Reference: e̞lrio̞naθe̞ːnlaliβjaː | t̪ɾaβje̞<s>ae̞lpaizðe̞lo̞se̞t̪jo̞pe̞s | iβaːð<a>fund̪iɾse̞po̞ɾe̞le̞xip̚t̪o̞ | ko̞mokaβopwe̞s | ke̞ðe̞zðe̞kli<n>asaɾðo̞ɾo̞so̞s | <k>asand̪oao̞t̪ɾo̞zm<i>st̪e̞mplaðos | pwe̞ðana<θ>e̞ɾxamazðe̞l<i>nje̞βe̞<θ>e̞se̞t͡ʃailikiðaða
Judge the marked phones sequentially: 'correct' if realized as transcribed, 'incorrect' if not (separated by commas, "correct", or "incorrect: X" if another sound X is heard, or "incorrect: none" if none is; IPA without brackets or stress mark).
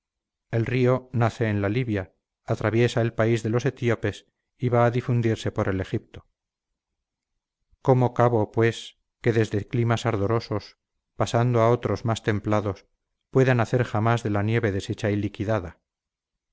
correct, incorrect: i, incorrect: m, incorrect: p, incorrect: a, correct, incorrect: a, incorrect: ð